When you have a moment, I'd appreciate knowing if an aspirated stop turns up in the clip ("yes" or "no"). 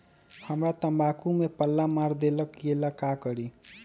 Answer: no